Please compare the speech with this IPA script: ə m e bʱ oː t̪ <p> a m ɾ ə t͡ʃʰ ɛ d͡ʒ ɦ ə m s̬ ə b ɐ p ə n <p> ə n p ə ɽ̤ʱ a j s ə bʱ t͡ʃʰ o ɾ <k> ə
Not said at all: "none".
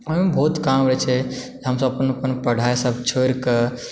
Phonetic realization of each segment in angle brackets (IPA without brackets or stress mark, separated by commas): k, p, k